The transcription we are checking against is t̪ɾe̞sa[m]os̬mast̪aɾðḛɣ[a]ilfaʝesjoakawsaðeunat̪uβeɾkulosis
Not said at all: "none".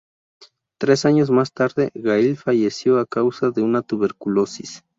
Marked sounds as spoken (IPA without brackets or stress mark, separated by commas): ɲ, a